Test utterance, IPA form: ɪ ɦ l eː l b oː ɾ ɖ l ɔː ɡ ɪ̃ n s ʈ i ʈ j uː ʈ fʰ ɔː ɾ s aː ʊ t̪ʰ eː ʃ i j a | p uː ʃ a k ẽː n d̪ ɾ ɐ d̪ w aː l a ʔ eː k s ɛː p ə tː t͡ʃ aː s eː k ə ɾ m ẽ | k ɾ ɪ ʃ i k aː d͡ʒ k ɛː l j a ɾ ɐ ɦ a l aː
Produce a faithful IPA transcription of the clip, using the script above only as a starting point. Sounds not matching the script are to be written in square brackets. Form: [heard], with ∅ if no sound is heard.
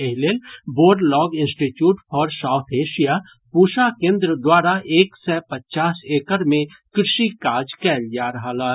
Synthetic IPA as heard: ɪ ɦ l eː l b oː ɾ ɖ l ɔː ɡ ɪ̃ n s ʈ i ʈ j uː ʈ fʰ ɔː ɾ s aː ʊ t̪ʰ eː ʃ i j a | p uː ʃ a k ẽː n d̪ ɾ [ə] d̪ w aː [ɾ] a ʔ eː k s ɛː p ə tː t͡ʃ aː s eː k ə ɾ m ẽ | k ɾ ɪ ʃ i k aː d͡ʒ k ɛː l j a ɾ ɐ ɦ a l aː